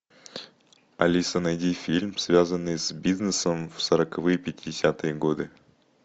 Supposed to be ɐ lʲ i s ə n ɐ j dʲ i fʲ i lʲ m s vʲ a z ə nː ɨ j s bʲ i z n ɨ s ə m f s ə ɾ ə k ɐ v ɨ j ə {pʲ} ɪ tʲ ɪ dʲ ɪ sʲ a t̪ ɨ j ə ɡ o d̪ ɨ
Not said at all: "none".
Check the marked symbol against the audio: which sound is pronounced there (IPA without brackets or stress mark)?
pʲ